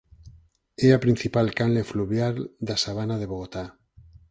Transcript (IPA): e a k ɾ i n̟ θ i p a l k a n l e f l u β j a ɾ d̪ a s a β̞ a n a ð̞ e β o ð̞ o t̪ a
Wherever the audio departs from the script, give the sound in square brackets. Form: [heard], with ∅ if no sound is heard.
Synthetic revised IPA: e a [p] ɾ i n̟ θ i p a l k a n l e f l u β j a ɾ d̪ a s a β̞ a n a ð̞ e β o [ɣ̞] o t̪ a